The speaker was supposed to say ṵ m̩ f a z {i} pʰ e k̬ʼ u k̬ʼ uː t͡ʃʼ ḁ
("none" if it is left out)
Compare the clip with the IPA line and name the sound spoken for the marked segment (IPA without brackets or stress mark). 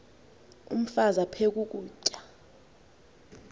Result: a